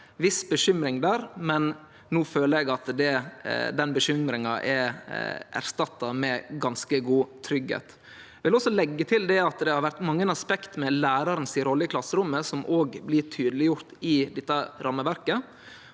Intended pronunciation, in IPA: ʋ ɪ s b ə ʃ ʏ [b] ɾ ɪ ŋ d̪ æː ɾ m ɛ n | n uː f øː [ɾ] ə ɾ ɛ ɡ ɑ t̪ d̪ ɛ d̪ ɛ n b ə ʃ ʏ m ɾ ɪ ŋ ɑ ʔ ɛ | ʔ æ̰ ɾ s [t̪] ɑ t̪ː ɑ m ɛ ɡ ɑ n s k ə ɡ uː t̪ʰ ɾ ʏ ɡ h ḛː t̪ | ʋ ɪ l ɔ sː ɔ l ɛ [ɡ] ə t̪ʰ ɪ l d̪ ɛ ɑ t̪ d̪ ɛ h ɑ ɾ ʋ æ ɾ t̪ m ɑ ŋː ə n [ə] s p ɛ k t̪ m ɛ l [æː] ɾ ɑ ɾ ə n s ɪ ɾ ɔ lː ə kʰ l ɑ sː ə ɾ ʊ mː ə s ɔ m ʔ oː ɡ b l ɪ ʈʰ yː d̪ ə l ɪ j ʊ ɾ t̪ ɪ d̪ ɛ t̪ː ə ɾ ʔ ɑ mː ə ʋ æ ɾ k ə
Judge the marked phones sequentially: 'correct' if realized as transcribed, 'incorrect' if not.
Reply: incorrect: m, incorrect: l, correct, incorrect: ɡː, incorrect: ɑ, correct

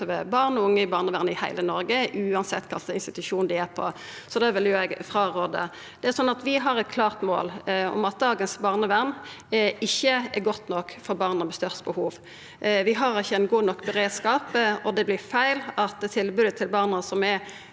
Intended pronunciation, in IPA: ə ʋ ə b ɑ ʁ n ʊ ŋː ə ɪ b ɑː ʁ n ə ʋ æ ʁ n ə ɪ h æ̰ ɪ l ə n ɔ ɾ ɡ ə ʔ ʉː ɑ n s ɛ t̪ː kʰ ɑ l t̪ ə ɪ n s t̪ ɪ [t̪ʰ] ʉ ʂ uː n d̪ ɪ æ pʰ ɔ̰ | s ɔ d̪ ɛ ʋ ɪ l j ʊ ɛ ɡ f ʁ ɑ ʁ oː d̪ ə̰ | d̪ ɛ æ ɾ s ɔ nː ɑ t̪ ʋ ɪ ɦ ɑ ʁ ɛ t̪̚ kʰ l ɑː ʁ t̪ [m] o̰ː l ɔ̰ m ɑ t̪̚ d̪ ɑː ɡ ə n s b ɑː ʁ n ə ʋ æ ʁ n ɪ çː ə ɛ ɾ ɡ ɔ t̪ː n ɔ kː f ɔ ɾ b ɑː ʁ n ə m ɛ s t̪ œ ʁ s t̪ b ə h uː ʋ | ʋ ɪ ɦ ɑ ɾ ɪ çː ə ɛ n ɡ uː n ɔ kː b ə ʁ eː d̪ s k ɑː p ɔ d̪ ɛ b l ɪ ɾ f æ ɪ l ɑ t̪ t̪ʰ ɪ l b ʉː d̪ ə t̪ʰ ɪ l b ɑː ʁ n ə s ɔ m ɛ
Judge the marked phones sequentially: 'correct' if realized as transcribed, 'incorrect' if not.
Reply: incorrect: t̪, correct

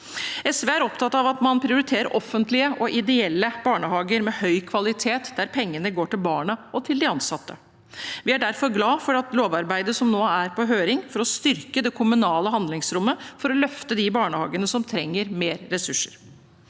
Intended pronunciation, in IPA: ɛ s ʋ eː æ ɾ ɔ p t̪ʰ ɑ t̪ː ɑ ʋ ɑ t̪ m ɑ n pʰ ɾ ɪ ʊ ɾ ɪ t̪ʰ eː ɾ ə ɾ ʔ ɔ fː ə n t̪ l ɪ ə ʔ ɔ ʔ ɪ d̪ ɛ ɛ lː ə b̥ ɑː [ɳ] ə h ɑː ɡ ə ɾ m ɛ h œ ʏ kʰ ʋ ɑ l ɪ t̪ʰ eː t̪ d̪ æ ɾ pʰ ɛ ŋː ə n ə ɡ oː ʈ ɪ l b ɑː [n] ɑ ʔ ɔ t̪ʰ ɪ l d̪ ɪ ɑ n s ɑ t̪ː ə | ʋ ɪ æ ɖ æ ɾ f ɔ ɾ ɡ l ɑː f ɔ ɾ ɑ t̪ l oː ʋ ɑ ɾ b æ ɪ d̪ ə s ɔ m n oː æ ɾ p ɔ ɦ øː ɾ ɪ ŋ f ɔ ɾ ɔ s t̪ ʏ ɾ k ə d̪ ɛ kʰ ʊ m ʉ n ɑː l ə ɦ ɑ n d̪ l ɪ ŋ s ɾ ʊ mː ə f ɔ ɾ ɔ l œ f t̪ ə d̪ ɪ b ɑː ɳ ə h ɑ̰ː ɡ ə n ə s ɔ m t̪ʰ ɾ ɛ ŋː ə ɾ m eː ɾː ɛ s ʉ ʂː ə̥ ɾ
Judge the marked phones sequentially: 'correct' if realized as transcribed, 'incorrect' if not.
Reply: correct, incorrect: ɳ

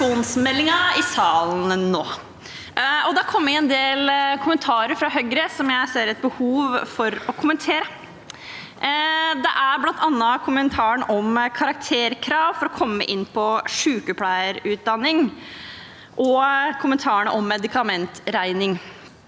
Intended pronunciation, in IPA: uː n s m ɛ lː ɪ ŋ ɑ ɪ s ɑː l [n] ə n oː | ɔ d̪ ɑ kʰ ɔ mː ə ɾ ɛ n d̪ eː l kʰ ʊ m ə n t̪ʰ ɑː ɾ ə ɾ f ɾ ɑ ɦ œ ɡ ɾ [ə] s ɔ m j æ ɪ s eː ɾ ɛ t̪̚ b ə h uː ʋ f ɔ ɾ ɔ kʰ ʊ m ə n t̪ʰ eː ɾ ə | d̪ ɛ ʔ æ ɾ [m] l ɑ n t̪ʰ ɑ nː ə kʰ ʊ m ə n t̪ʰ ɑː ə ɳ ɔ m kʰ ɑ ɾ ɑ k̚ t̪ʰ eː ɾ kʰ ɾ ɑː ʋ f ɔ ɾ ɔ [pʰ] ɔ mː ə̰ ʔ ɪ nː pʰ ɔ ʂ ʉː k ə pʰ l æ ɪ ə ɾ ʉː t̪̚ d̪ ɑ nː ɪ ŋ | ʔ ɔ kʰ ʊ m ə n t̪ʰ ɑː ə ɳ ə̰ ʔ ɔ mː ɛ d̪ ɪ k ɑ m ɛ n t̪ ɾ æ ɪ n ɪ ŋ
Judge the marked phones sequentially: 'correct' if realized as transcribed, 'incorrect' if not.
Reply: correct, correct, incorrect: b, incorrect: kʰ

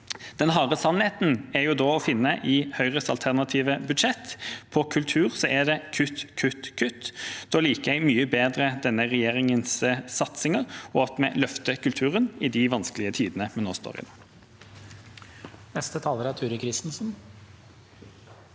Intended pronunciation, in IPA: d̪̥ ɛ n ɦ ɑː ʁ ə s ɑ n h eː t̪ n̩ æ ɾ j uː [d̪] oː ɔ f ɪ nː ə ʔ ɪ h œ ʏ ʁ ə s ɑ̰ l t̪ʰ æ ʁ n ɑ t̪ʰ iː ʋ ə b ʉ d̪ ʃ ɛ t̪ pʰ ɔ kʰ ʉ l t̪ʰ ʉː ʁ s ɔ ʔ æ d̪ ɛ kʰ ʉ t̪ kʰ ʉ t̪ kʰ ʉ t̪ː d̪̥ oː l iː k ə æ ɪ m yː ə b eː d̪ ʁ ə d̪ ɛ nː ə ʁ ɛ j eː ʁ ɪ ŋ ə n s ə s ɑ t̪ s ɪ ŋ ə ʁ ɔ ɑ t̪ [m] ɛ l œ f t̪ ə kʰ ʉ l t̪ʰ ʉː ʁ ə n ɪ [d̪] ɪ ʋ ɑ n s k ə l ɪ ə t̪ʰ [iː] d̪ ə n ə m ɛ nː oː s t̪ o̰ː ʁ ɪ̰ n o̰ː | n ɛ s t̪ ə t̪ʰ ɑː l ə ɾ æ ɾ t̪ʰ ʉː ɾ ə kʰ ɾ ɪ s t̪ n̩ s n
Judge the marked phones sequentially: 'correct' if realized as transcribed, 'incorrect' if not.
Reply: correct, correct, correct, correct

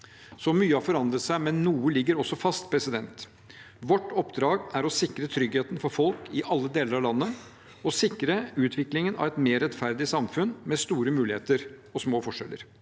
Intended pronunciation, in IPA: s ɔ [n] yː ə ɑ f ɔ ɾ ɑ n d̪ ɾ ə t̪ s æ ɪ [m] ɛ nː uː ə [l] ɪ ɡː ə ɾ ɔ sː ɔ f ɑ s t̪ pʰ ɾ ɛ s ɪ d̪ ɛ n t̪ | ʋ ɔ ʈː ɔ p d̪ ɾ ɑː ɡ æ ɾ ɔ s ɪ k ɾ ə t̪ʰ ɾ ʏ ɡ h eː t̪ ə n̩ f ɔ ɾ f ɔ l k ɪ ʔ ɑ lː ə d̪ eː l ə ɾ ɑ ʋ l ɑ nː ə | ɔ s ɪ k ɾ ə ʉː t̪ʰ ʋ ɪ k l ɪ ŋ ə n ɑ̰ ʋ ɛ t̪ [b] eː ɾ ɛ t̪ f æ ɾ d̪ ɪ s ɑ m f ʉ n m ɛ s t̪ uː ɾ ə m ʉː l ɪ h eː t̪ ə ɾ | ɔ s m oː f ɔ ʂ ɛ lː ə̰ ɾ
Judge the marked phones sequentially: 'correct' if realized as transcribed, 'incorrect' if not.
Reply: incorrect: m, correct, correct, incorrect: m

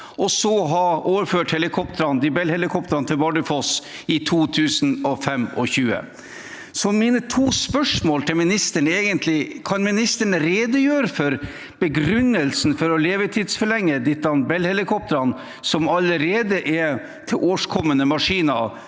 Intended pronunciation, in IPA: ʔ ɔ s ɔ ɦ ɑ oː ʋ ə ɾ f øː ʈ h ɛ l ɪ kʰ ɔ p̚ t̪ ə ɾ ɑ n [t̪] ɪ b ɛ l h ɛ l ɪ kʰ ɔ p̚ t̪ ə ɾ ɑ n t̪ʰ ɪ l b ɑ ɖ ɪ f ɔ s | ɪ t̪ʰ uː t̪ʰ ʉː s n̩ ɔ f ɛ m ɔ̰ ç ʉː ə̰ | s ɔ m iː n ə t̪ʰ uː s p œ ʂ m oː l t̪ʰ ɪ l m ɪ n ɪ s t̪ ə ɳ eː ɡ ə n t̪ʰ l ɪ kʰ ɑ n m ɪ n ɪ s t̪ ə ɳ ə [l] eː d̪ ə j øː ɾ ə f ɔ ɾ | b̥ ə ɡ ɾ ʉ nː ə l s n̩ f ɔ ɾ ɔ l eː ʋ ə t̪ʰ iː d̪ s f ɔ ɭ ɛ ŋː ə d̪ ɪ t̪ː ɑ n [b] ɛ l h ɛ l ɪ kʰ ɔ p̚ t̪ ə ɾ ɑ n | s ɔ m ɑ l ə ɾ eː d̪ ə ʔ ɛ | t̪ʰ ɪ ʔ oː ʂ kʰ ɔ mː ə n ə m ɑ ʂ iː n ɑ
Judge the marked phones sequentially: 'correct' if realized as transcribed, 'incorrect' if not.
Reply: incorrect: d̪, incorrect: ɾ, correct

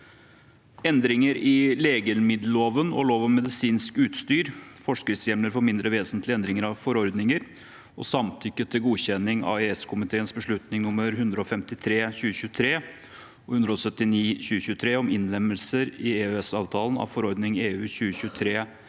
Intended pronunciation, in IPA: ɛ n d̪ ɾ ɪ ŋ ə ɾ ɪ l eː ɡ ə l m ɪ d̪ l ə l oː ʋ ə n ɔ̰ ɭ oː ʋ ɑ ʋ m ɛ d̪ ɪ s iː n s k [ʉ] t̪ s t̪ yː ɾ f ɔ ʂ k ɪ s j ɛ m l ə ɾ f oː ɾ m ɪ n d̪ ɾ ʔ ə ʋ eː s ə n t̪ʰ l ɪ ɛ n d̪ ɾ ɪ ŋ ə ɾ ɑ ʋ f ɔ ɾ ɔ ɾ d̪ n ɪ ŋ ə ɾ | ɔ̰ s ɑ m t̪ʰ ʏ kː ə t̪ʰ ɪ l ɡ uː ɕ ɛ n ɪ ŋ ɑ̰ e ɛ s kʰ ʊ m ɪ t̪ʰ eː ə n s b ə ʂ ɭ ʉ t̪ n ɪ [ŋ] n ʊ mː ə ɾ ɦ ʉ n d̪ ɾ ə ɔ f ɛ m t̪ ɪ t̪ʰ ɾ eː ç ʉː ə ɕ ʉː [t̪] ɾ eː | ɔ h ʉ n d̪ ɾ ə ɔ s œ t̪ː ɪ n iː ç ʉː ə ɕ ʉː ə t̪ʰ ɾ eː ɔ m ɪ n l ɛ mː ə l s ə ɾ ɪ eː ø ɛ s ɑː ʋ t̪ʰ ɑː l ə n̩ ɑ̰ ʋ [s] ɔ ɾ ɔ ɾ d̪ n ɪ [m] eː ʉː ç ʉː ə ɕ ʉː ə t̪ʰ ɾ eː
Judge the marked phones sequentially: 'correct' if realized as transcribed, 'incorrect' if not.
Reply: incorrect: ʉː, correct, incorrect: t̪ʰ, incorrect: f, incorrect: ŋ

